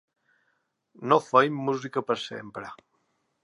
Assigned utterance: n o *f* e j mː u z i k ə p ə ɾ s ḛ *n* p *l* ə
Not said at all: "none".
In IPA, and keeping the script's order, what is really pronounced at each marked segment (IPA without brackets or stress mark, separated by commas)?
f, m, ɾ